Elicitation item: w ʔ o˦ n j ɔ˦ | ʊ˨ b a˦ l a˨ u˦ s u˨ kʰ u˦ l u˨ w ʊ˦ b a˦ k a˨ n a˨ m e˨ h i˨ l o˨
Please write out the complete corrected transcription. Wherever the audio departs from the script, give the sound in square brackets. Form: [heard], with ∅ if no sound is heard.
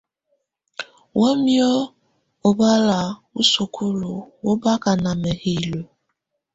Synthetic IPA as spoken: w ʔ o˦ [m] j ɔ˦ | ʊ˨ b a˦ l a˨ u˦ s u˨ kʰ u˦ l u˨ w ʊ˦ b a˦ k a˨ n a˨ m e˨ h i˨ l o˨